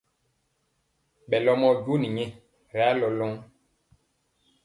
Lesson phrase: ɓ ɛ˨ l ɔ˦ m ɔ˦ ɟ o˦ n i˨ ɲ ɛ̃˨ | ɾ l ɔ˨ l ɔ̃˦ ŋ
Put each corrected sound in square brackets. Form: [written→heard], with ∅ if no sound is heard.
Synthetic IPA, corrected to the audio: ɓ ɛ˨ l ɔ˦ m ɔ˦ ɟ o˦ n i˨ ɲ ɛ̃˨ | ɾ l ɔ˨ l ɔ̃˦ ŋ